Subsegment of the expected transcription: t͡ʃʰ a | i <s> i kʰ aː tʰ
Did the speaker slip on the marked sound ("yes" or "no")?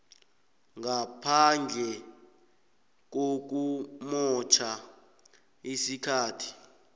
no